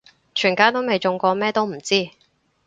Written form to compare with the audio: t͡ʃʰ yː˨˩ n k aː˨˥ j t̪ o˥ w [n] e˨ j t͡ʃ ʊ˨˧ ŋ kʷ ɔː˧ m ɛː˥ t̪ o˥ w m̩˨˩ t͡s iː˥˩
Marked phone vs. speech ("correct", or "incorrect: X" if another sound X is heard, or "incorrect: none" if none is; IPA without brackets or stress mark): incorrect: m